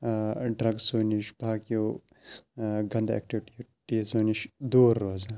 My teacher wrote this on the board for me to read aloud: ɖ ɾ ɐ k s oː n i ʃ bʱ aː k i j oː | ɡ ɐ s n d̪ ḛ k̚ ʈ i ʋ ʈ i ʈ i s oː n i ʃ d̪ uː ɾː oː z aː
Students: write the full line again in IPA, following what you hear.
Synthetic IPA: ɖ ɾ ɐ ɡ s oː n i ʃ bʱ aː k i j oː | ɡ ɐ n d̪ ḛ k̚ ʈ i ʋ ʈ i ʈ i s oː n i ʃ d̪ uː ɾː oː z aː